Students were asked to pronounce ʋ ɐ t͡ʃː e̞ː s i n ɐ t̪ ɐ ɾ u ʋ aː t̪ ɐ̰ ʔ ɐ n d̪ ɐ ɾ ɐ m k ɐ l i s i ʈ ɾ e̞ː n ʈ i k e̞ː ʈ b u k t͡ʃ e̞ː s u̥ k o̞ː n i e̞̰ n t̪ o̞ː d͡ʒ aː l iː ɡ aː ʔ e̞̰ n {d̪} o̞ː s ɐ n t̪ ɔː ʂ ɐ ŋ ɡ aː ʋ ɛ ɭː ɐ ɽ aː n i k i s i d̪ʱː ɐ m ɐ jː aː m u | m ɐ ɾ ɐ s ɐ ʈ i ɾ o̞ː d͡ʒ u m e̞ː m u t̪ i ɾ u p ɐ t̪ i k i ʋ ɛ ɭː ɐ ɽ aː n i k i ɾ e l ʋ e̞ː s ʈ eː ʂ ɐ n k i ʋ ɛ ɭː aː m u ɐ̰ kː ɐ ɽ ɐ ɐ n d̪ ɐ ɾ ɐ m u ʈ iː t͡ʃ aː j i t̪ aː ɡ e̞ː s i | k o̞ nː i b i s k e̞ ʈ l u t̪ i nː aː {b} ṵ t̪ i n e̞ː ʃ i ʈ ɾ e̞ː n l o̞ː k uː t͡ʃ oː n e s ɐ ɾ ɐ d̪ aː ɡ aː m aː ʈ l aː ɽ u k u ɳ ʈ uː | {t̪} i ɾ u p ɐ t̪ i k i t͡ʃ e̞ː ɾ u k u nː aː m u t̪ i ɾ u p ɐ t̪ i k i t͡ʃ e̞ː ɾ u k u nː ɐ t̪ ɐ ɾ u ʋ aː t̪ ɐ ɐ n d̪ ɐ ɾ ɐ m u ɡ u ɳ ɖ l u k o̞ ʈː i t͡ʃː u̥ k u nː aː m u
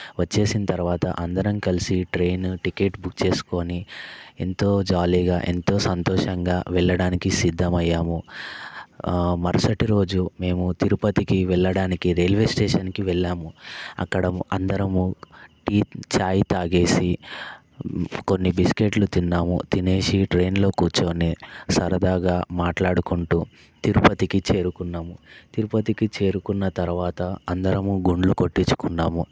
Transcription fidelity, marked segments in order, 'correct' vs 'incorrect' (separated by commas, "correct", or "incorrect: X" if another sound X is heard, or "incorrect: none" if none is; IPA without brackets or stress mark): incorrect: t̪, incorrect: m, correct